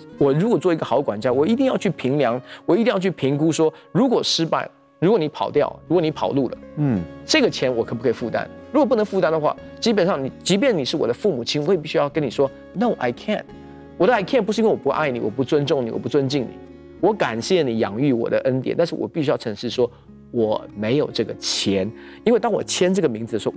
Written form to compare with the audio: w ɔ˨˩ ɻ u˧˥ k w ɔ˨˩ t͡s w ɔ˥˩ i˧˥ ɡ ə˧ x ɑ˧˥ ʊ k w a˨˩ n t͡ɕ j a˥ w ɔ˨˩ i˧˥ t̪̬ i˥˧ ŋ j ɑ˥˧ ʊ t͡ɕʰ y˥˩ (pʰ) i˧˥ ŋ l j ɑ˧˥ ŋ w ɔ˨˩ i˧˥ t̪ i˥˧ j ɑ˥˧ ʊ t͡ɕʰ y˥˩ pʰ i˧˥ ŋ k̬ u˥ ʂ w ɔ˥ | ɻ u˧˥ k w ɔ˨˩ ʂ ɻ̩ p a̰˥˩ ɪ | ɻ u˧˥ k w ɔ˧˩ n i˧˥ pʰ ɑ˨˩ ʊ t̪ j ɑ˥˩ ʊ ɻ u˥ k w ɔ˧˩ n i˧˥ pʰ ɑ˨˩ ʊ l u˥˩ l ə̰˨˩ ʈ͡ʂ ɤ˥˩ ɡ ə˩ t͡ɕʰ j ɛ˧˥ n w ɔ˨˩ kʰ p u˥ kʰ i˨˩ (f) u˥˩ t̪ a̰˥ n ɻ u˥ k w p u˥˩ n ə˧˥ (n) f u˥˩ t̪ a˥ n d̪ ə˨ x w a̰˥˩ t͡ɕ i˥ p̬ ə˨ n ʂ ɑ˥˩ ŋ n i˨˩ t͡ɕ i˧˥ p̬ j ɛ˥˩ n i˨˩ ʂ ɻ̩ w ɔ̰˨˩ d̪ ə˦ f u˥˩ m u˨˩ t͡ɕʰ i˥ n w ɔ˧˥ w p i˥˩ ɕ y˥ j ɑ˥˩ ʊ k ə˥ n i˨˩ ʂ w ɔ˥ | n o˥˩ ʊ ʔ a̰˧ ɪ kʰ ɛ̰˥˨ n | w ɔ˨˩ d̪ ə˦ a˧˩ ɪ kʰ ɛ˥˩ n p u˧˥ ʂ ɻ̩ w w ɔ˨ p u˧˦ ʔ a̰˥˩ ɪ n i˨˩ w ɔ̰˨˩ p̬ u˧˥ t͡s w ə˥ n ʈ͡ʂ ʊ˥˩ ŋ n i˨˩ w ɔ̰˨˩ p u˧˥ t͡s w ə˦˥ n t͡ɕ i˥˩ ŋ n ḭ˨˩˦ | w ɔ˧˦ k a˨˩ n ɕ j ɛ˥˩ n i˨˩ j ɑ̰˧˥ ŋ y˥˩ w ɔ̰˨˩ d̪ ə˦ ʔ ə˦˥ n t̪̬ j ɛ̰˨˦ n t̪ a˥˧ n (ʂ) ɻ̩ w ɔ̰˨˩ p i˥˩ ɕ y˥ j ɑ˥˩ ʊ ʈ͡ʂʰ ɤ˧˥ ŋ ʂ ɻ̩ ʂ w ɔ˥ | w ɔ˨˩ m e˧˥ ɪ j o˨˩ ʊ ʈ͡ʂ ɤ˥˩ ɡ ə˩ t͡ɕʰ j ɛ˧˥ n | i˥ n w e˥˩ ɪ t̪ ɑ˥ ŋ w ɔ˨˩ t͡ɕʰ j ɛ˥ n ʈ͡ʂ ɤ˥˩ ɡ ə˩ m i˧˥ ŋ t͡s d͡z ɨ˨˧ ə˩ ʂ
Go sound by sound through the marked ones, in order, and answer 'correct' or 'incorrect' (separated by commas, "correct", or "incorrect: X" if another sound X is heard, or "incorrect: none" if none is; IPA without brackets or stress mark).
correct, correct, incorrect: ŋ, correct